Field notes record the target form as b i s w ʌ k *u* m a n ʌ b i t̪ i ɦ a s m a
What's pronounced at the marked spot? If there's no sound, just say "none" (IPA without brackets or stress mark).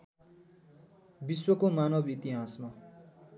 o